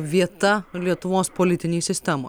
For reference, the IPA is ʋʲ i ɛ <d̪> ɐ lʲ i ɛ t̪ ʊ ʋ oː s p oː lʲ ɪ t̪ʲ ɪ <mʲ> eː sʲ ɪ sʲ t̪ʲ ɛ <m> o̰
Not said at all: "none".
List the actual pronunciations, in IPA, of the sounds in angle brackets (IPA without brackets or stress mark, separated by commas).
t̪, nʲ, m